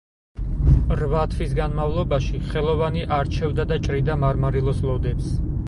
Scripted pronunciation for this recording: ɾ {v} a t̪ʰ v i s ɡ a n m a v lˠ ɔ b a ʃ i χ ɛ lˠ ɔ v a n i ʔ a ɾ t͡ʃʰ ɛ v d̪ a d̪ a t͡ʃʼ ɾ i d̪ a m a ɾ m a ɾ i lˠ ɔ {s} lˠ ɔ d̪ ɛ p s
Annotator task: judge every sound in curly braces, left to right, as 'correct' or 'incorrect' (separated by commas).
correct, correct